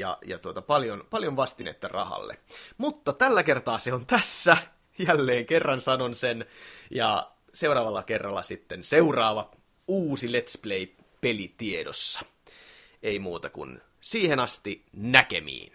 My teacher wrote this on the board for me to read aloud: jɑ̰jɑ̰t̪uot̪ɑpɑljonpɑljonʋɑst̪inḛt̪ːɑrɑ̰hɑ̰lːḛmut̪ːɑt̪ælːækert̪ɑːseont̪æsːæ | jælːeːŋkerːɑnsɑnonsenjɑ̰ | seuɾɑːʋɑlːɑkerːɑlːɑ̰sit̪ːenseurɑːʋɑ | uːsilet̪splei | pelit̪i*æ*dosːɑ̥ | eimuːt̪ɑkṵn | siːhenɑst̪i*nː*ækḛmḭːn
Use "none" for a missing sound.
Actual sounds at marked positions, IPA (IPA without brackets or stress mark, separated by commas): e, n